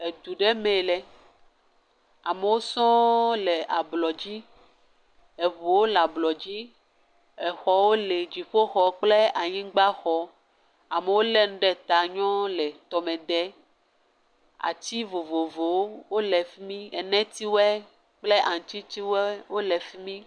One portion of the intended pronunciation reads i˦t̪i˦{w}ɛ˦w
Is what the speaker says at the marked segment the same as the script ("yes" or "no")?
yes